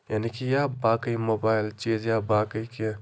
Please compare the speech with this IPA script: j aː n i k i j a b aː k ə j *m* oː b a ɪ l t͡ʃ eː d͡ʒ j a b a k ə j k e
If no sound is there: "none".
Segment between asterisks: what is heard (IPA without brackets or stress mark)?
m